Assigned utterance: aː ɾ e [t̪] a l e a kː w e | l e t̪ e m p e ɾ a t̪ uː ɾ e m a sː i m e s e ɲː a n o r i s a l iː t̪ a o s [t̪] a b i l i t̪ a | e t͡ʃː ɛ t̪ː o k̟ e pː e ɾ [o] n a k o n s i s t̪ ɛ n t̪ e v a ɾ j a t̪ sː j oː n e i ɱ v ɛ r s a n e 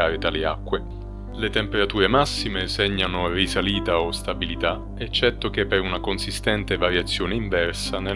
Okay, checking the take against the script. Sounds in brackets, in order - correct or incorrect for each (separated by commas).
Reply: correct, correct, incorrect